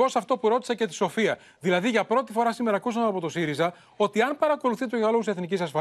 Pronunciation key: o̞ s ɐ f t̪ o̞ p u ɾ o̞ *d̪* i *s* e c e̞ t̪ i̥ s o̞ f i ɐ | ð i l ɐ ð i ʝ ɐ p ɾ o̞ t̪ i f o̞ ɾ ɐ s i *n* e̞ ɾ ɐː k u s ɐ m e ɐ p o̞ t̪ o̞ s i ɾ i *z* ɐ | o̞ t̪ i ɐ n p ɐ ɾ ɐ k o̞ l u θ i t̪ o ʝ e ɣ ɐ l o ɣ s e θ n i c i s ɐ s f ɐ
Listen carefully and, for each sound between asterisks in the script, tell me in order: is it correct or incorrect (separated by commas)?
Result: incorrect, correct, incorrect, correct